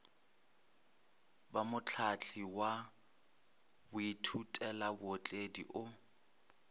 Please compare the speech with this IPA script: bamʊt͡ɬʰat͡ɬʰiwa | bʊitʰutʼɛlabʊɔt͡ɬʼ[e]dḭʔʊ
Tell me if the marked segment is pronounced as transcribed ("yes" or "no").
yes